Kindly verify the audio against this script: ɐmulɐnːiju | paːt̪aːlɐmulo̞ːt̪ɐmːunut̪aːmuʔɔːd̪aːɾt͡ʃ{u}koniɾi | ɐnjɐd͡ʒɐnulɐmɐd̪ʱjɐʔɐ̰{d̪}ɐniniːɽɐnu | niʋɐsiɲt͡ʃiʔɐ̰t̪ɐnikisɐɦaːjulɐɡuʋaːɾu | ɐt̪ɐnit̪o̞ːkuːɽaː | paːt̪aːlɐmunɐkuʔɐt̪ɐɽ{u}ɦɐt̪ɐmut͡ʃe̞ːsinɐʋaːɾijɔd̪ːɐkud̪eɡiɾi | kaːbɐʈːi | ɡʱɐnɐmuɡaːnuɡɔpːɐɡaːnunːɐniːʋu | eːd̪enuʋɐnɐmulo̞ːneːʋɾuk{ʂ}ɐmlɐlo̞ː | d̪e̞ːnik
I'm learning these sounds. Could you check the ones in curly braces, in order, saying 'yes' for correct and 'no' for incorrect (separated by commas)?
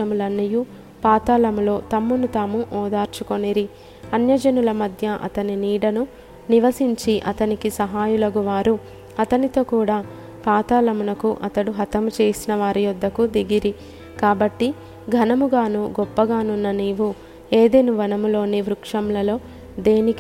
yes, no, yes, yes